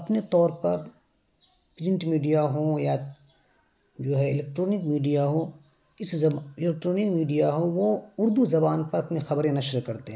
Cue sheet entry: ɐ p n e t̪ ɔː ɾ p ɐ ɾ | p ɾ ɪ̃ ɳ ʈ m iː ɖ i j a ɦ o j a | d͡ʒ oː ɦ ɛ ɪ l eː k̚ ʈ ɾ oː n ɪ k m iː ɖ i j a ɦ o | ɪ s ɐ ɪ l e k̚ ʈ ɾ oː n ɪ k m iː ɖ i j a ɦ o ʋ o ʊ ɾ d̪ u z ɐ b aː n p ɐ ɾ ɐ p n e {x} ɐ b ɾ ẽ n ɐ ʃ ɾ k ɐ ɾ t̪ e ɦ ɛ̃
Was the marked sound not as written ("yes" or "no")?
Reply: no